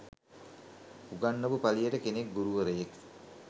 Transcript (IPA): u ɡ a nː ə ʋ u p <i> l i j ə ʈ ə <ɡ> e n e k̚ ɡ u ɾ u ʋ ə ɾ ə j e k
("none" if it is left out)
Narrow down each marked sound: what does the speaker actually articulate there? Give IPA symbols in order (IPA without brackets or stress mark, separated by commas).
a, k